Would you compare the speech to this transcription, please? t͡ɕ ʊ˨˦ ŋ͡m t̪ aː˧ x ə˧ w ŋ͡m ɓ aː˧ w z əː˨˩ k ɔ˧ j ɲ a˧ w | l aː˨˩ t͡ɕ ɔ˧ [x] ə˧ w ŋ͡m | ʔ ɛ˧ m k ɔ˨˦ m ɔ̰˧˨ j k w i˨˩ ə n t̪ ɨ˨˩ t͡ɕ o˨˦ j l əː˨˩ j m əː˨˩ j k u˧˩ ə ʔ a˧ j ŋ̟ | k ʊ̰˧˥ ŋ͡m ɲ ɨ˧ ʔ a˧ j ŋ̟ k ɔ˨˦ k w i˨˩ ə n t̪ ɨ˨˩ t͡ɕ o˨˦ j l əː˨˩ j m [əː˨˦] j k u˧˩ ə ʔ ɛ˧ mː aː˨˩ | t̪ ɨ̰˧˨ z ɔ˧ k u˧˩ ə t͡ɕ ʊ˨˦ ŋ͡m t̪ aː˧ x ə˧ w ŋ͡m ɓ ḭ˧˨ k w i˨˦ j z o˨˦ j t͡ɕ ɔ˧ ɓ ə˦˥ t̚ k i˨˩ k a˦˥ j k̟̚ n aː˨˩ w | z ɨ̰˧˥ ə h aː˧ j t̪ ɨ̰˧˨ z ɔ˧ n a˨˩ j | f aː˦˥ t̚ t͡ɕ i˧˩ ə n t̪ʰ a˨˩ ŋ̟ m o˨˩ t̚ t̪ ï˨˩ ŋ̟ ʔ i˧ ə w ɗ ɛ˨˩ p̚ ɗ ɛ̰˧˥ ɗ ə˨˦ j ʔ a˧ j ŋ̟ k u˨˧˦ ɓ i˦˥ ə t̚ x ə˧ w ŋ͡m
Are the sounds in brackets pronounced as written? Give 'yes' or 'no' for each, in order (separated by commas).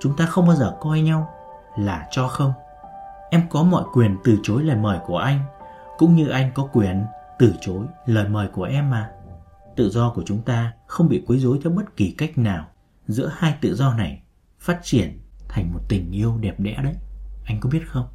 yes, no